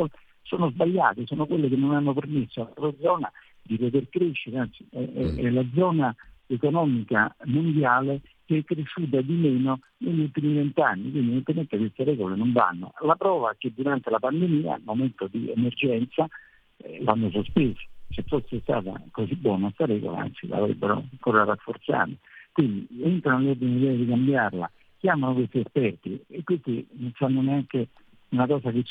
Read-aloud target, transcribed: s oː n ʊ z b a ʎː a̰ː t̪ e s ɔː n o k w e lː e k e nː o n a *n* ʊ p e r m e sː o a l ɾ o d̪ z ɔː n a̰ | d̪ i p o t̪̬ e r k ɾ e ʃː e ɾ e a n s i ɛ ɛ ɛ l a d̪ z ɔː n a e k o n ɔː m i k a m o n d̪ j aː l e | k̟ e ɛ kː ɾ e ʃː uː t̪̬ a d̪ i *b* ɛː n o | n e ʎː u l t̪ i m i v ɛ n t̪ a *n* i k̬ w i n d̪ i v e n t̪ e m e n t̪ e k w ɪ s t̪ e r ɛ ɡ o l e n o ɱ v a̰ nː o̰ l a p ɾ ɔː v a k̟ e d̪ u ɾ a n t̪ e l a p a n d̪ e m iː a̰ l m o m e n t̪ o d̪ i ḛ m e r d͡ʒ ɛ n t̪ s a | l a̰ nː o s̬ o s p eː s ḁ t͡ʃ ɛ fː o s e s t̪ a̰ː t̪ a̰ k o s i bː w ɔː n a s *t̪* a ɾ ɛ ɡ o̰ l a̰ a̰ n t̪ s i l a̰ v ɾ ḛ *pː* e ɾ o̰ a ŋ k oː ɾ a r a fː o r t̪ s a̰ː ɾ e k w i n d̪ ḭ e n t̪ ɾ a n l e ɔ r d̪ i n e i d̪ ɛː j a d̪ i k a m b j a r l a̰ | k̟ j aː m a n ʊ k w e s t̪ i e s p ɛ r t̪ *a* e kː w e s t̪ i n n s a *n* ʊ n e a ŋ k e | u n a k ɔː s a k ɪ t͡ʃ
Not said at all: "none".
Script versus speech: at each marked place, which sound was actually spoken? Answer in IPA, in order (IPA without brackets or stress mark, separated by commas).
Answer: nː, m, nː, t̪, bː, i, nː